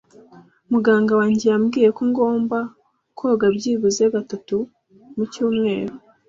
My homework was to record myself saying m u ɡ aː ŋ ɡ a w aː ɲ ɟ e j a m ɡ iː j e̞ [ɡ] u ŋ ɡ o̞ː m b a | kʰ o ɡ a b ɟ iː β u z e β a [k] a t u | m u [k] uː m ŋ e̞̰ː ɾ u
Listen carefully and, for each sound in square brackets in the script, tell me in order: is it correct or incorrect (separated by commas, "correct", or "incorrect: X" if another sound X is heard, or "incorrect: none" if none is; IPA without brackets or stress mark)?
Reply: incorrect: k, incorrect: t, incorrect: c